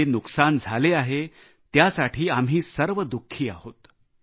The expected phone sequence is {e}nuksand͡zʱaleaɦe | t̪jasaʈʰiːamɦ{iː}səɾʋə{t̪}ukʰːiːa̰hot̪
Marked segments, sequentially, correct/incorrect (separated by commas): correct, correct, incorrect